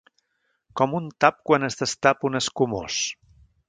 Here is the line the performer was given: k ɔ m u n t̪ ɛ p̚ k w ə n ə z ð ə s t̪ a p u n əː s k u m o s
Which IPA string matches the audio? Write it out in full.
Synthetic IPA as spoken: k ɔ m u n t̪ a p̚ k w a n ə z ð ə s t̪ a p u n ə s k u m o s